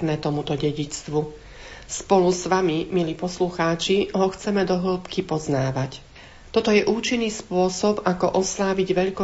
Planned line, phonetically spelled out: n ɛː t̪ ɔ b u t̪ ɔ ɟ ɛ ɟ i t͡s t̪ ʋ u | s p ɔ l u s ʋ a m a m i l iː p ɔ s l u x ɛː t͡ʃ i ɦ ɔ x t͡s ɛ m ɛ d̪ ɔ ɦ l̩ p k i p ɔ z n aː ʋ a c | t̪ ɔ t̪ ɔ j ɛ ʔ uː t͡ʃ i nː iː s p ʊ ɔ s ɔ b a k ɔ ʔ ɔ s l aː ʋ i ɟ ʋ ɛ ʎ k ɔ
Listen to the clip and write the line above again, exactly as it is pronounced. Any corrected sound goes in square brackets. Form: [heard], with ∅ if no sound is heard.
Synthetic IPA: n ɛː t̪ ɔ [m] u t̪ ɔ ɟ ɛ ɟ i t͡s t̪ ʋ u | s p ɔ l u s ʋ a m [i] m i l iː p ɔ s l u x [aː] t͡ʃ i ɦ ɔ x t͡s ɛ m ɛ d̪ ɔ ɦ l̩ p k i p ɔ z n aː ʋ a c | t̪ ɔ t̪ ɔ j ɛ ʔ uː t͡ʃ i nː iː s p ʊ ɔ s ɔ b a k ɔ ʔ ɔ s l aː ʋ i ɟ ʋ ɛ ʎ k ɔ